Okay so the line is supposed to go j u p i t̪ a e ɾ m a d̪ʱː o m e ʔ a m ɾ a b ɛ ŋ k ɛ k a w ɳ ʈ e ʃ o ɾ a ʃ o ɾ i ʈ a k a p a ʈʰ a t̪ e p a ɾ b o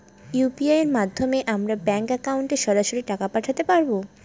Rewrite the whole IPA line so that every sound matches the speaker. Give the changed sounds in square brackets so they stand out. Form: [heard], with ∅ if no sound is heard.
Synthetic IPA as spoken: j u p i [∅] a e ɾ m a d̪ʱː o m e ʔ a m ɾ a b ɛ ŋ k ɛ k a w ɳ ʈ e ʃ [ɔ] ɾ a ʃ o ɾ i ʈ a k a p a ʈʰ a t̪ e p a ɾ b o